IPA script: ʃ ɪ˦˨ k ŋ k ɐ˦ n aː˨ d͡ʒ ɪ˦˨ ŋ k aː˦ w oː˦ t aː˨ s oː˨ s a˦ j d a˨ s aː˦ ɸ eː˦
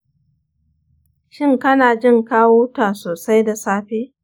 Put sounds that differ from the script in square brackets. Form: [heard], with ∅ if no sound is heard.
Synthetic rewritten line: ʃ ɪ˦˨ [∅] ŋ k ɐ˦ n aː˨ d͡ʒ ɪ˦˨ ŋ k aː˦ w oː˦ t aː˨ s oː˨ s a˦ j d a˨ s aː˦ ɸ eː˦